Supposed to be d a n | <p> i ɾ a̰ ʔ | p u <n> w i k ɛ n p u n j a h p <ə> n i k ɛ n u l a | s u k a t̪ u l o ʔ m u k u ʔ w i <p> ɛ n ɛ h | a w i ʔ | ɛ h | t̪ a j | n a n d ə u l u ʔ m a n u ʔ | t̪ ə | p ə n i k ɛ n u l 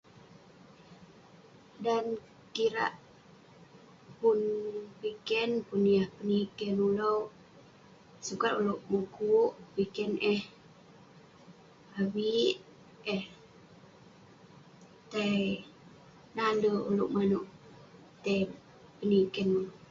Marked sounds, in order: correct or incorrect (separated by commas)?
incorrect, correct, correct, incorrect